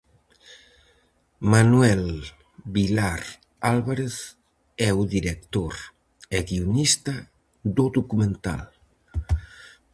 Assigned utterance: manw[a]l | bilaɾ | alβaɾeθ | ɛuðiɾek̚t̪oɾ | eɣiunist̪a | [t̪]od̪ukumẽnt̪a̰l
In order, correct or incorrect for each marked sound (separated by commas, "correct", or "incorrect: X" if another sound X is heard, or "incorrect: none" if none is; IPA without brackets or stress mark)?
incorrect: ɛ, incorrect: d̪